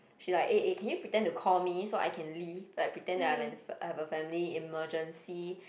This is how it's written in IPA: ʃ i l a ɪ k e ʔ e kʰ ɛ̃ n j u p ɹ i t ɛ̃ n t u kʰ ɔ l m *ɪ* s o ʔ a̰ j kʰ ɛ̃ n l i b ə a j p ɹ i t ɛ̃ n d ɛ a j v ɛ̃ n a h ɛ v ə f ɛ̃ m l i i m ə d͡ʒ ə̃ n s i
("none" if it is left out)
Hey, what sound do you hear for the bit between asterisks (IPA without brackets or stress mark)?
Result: i